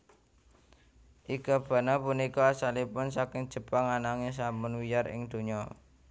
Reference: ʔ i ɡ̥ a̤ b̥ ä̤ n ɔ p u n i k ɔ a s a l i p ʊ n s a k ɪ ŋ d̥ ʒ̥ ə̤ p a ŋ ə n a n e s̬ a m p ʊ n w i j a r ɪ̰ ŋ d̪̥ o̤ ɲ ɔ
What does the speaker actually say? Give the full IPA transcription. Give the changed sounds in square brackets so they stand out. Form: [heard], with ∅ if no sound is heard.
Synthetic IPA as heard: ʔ i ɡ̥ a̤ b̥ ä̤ n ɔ p u n i k ɔ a s a l i p ʊ n s a k ɪ ŋ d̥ ʒ̥ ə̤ p a ŋ [a] n a [ŋ] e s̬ a m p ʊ n w i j a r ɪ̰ ŋ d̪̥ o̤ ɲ ɔ

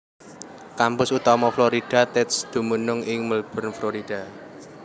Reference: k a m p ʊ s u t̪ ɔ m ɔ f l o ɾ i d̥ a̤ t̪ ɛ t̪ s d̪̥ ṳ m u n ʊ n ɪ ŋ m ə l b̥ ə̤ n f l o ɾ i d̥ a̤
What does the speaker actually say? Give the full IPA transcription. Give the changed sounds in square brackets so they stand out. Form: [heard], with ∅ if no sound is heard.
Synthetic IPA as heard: k a m p ʊ s u t̪ ɔ m ɔ f l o ɾ i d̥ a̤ t̪ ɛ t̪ s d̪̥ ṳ m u n ʊ [ŋ] ɪ ŋ m ə l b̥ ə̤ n f l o ɾ i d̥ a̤

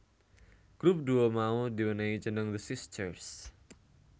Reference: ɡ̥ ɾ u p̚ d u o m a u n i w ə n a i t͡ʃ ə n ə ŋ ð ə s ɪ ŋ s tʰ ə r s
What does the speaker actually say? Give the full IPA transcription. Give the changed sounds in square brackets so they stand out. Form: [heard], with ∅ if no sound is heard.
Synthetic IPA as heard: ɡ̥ ɾ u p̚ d u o m a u [d] i w ə n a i t͡ʃ ə n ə ŋ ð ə s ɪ [∅] s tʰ ə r s

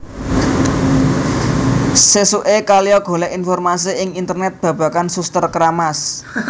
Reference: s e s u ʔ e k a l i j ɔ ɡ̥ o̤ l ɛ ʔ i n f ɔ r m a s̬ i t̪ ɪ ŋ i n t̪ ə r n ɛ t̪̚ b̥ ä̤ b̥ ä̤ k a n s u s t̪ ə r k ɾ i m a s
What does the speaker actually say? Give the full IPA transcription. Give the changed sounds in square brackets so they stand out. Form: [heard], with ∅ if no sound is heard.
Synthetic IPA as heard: s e s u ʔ e k a l i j ɔ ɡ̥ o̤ l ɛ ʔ i n f ɔ r m a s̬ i [∅] ɪ ŋ i n t̪ ə r n ɛ t̪̚ b̥ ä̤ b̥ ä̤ k a n s u s t̪ ə r k ɾ [a] m a s

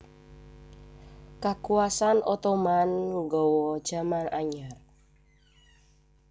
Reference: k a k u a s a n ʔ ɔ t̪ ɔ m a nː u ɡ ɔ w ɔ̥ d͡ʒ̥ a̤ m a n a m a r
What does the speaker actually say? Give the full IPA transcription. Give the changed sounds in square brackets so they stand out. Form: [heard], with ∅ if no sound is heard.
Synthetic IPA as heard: k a k u a s a n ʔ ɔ t̪ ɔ m a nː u ɡ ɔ w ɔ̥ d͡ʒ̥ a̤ m a n a [ɲ] a r

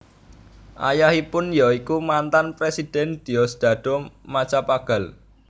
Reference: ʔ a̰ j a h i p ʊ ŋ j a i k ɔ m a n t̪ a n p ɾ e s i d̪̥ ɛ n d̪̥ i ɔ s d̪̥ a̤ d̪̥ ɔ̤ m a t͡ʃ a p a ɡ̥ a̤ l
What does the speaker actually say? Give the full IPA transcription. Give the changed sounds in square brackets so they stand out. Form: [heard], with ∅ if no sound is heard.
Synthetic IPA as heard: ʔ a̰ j a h i p ʊ [n] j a i k [u] m a n t̪ a n p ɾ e s i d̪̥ ɛ n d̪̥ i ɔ s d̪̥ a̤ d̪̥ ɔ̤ m a t͡ʃ a p a ɡ̥ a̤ l

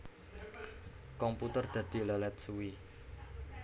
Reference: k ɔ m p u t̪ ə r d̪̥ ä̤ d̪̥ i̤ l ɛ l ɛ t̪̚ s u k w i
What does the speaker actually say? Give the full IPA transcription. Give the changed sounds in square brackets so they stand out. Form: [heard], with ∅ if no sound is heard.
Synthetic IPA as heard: k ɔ m p u t̪ ə r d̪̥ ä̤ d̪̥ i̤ l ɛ l ɛ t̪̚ s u [∅] w i

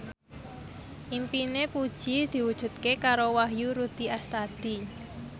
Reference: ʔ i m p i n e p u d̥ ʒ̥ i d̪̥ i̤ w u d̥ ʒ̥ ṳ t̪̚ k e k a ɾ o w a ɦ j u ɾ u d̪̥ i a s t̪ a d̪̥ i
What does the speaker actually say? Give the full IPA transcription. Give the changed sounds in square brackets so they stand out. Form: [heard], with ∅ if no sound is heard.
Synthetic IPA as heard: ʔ i m p i n e p u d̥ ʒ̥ i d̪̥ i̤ w u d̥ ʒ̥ ṳ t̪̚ k e k a ɾ o w a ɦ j u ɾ u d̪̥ i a s t̪ a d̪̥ i

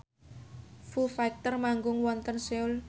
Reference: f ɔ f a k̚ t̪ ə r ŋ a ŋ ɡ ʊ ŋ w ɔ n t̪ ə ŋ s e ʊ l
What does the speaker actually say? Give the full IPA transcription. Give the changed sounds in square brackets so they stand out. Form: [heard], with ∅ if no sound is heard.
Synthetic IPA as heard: f [u] f a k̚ t̪ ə r [m] a ŋ ɡ ʊ ŋ w ɔ n t̪ ə [n] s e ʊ l

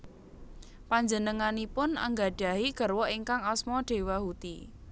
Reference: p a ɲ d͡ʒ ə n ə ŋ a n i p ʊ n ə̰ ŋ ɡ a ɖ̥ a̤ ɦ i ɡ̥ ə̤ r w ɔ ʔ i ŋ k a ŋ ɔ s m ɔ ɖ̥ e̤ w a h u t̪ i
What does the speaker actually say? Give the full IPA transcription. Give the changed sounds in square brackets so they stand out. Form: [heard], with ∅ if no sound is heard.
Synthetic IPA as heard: p a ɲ d͡ʒ ə n ə ŋ a n i p ʊ n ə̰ ŋ ɡ a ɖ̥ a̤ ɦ i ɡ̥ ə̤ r w ɔ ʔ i ŋ k a ŋ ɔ s m ɔ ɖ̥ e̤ w a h u t̪ i

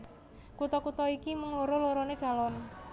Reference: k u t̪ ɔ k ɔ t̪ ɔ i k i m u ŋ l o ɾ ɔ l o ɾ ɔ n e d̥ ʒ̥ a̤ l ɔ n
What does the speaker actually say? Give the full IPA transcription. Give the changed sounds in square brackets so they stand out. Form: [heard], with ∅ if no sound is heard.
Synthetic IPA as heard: k u t̪ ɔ k [u] t̪ ɔ i k i m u ŋ l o ɾ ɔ l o ɾ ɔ n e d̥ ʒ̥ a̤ l ɔ n

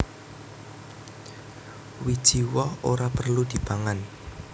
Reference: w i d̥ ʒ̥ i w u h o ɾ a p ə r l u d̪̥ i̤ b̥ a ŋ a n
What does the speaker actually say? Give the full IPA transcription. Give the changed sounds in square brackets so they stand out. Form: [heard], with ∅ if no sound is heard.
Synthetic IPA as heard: w i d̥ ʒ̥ i w [ɔ] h o ɾ a p ə r l u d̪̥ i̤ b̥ a ŋ a n

